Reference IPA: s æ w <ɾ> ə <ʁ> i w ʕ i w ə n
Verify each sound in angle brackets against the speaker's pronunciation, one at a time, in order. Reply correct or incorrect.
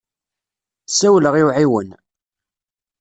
incorrect: l, correct

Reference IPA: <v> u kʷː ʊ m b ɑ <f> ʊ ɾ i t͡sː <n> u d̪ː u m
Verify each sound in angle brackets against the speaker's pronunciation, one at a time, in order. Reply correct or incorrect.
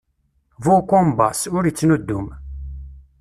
correct, incorrect: s, correct

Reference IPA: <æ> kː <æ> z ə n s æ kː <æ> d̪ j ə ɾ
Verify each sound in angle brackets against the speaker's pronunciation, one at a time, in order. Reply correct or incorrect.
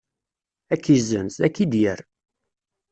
correct, incorrect: i, incorrect: i

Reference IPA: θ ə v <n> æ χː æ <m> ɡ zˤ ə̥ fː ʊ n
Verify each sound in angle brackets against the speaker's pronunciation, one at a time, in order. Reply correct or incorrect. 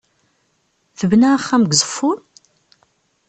correct, correct

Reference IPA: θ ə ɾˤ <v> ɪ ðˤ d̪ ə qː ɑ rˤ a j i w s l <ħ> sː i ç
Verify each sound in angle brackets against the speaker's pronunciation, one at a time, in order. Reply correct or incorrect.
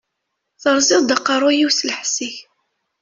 incorrect: z, correct

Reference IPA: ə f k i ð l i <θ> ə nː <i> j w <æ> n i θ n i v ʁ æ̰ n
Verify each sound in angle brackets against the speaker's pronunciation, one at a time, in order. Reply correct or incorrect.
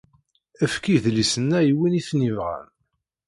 incorrect: s, incorrect: æ, incorrect: i

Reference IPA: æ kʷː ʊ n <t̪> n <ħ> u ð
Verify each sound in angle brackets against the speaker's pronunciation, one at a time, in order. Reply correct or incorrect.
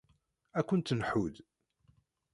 correct, correct

